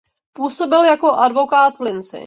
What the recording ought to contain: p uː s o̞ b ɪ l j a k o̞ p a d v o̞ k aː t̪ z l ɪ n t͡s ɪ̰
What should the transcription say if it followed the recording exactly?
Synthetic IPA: p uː s o̞ b ɪ l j a k o̞ ʔ a d v o̞ k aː t̪ v l ɪ n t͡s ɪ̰